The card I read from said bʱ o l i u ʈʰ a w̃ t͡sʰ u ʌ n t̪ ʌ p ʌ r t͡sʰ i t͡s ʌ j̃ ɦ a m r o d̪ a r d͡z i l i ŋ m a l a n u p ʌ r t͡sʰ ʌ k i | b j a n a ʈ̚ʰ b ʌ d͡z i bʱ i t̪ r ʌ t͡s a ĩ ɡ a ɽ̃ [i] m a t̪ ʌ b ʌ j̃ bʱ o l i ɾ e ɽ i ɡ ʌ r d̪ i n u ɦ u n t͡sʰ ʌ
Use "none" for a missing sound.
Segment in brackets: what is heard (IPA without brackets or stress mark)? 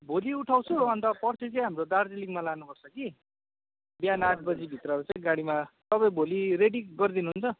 i